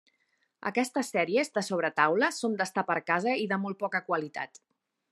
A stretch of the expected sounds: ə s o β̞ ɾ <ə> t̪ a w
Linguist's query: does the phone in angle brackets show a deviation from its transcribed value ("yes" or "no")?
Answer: no